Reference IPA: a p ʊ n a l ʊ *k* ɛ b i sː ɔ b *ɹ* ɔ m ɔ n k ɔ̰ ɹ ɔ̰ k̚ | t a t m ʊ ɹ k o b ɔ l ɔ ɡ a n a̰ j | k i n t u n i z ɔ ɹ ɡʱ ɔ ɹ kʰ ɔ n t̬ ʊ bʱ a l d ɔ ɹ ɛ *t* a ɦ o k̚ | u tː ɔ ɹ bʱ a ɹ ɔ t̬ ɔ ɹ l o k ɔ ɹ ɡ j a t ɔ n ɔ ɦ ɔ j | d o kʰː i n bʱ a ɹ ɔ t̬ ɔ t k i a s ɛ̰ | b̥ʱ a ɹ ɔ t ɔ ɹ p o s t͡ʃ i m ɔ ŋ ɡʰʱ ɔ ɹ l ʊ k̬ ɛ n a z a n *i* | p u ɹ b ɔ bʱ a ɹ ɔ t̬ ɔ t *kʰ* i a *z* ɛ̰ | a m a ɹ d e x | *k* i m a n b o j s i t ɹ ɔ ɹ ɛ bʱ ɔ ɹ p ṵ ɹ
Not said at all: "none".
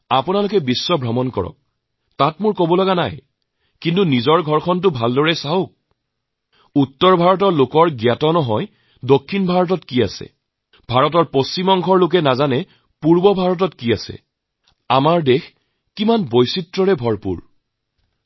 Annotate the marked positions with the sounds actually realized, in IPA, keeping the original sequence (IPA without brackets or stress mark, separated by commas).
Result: k, ɹ, s, ɛ, k, s, k